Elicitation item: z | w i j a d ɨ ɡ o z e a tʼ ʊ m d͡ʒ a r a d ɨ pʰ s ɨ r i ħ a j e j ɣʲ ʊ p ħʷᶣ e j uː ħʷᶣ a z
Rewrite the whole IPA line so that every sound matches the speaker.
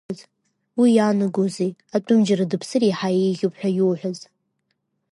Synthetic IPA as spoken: z | w i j a n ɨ ɡ o z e a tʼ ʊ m d͡ʒ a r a d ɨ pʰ s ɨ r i ħ a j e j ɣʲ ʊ p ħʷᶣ a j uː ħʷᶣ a z

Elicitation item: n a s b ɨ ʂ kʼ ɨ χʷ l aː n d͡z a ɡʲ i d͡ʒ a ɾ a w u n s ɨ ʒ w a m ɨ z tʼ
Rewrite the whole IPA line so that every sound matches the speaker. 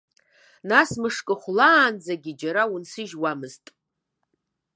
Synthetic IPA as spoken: n a s m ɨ ʂ kʼ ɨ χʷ l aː n d͡z a ɡʲ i d͡ʒ a ɾ a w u n s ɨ ʒ w a m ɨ z tʼ

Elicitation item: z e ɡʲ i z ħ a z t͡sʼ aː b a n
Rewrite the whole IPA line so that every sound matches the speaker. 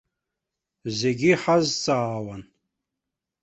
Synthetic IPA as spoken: z e ɡʲ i ħ a z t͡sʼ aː w a n

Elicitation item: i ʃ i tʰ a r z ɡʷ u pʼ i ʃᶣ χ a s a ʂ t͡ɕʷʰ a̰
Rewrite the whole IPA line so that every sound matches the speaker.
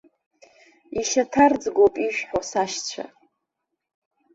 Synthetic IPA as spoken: i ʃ a tʰ a r d͡z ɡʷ o pʼ i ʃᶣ ħ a s a ʃ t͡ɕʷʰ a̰

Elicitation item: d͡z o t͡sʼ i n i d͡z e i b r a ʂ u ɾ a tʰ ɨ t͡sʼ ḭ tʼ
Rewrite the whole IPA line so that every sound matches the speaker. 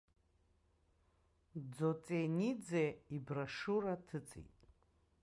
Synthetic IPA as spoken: d͡z o t͡sʼ e n i d͡z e i b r a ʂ u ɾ a tʰ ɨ t͡sʼ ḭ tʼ

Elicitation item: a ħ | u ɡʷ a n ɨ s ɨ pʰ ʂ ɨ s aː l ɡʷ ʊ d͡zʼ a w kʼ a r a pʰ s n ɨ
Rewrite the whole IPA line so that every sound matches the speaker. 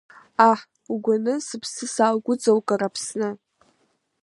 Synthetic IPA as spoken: a ħ | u ɡʷ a n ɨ s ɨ pʰ s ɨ s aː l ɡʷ ʊ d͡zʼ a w kʼ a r a pʰ s n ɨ

